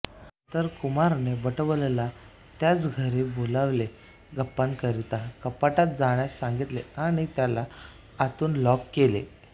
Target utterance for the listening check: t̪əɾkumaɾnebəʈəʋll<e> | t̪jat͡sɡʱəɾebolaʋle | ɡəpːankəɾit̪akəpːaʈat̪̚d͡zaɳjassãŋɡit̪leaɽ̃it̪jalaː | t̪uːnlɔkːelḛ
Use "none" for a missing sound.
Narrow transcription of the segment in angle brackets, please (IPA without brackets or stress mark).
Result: a